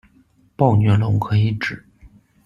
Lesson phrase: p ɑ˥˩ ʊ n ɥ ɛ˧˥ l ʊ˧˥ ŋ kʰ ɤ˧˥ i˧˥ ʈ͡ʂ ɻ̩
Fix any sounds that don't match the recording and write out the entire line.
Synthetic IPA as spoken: p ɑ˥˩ ʊ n ɥ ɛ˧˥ l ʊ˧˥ ŋ kʰ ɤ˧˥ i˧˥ ʈ͡ʂ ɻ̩